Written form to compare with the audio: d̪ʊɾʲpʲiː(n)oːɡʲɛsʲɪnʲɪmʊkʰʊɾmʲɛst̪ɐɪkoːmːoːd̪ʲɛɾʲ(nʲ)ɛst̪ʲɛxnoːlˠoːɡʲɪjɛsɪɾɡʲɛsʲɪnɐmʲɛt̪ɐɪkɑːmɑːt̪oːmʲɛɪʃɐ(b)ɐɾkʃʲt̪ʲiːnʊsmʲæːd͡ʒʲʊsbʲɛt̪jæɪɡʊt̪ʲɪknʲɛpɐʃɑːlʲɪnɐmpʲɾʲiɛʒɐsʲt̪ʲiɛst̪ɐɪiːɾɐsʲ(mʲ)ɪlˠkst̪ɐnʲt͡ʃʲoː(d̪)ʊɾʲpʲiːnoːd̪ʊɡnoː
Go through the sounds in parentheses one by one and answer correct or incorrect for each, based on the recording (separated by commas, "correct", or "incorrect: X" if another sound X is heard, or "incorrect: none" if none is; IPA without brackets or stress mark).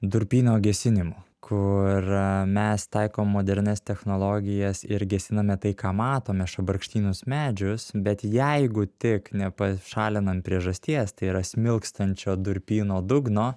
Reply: correct, correct, correct, correct, correct